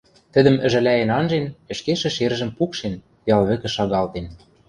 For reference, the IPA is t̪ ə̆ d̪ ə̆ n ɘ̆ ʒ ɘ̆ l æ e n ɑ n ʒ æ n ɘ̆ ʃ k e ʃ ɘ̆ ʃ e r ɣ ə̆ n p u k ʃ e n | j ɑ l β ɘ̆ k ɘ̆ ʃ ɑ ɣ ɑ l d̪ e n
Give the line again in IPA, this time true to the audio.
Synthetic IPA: t̪ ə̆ d̪ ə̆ m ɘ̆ ʒ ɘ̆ l æ e n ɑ n ʒ e n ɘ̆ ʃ k e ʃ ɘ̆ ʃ e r ʒ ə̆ m p u k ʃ e n | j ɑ l β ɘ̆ k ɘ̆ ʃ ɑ ɣ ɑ l t̪ e n